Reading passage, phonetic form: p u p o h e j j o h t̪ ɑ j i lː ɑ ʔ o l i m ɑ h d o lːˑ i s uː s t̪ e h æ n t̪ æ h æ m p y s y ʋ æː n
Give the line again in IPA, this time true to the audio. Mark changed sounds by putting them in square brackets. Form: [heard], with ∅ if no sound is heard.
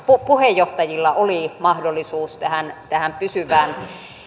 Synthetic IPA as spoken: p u p [u] h e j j o h t̪ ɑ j i lː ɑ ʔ o l i m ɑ h d o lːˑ i s uː s t̪ [æ] h æ n t̪ æ h æ m p y s y ʋ æː n

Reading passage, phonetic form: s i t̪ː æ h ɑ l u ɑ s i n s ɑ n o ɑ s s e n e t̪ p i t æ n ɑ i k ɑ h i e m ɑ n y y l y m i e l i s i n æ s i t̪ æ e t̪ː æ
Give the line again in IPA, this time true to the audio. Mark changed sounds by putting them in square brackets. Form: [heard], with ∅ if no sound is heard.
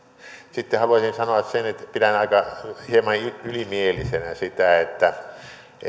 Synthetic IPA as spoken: s i t̪ː [e] h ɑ l u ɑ s i n s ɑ n o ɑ s s e n e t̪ p i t æ n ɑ i k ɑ h i e m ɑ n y y l [i] m i e l i s [e] n æ s i t̪ æ e t̪ː æ

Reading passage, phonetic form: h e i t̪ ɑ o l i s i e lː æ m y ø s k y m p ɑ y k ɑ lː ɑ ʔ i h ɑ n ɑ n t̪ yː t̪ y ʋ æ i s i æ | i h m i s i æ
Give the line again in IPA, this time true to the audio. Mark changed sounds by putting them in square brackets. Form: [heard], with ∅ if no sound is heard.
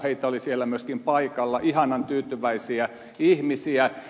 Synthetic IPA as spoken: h e i t̪ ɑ o l i s i e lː æ m y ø s k [i] m p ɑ [i] k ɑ lː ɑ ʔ i h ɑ n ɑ n t̪ yː t̪ y ʋ æ i s i æ | i h m i s i æ

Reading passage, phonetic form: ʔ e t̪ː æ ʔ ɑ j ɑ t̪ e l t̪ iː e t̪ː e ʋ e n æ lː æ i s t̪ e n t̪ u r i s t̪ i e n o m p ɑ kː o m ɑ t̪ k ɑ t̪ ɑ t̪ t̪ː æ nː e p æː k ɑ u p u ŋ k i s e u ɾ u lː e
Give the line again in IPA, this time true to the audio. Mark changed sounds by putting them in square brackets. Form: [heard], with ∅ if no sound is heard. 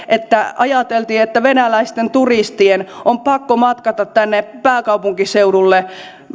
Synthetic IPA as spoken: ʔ e t̪ː æ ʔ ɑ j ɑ t̪ e l t̪ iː e t̪ː [æ] ʋ e n æ [l] æ i s t̪ e n t̪ u r i s t̪ i e n o m p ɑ kː o m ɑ t̪ k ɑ t̪ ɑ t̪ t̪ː æ nː e p æː k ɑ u p u ŋ k i s e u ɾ u lː e

